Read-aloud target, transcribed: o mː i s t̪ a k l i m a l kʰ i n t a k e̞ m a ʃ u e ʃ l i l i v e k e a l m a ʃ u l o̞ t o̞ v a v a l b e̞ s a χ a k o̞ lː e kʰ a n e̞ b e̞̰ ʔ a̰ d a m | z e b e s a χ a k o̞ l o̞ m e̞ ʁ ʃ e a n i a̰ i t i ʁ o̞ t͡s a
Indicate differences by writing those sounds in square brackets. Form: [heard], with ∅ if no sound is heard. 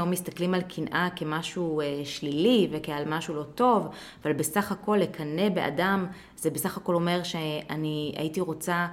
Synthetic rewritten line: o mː i s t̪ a k l i m a l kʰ i n [ʔ] a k e̞ m a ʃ u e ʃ l i l i v e k e a l m a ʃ u l o̞ t o̞ v a v a l b e̞ s a χ a k o̞ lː e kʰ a n e̞ b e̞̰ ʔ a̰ d a m | z e b e s a χ a k o̞ l o̞ m e̞ ʁ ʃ e a n i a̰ i t i ʁ o̞ t͡s a